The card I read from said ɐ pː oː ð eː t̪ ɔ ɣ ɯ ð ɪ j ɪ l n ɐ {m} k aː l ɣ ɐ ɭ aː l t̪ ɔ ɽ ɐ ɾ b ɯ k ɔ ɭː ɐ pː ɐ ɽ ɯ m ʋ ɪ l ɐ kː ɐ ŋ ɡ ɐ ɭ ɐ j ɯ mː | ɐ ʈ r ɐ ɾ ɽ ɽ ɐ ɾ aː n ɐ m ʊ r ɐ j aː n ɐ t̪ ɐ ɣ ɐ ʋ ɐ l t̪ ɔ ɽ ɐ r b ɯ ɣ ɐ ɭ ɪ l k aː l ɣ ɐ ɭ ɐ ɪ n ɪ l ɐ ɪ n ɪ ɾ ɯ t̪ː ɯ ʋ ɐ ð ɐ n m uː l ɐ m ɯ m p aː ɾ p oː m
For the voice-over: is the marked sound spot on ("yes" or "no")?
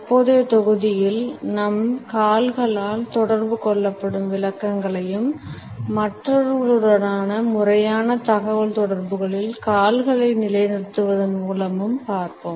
yes